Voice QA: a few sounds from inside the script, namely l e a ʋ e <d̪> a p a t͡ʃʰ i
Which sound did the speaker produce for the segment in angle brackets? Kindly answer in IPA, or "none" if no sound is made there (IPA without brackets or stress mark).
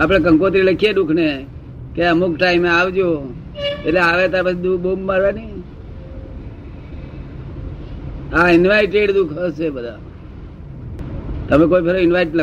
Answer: t̪